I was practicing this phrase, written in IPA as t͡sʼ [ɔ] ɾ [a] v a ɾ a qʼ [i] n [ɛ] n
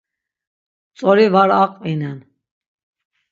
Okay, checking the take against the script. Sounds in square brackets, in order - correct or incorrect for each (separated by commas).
correct, incorrect, correct, correct